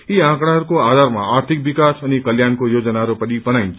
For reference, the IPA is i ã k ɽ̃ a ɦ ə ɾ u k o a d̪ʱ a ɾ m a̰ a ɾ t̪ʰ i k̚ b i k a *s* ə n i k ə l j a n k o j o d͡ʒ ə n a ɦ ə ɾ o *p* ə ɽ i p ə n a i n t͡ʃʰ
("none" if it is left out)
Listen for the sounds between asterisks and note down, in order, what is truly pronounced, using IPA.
s, p

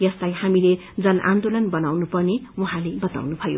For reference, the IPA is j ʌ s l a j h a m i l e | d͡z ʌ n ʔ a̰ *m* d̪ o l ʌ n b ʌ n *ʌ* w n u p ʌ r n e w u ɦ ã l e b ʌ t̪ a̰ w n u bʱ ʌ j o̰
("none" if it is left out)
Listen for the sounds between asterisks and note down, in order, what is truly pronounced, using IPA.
n, a

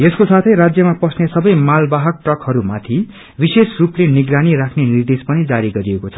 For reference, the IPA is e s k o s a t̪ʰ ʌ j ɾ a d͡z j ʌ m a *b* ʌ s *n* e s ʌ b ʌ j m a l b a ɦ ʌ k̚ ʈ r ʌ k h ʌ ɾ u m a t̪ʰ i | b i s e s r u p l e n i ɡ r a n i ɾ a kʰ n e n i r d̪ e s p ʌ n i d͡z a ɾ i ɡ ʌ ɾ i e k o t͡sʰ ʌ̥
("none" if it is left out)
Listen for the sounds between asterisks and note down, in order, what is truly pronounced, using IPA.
p, n

